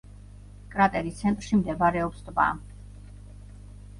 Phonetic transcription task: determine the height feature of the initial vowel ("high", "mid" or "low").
low